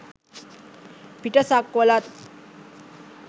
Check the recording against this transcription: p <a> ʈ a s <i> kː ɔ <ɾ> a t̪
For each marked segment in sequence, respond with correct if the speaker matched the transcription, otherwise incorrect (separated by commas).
incorrect, incorrect, incorrect